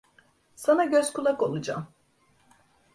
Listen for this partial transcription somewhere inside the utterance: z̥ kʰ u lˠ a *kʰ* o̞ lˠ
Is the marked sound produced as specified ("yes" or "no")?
no